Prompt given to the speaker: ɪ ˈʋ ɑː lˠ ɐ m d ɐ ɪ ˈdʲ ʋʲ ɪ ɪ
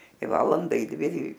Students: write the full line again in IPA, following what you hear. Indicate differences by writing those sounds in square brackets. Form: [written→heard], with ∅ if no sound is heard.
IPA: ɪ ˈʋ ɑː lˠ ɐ [m→n] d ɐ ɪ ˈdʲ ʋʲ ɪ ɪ